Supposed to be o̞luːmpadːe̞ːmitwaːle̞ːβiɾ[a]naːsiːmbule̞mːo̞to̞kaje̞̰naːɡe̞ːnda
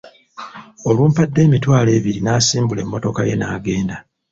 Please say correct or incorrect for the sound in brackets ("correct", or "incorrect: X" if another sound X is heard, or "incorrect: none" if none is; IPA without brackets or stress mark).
incorrect: i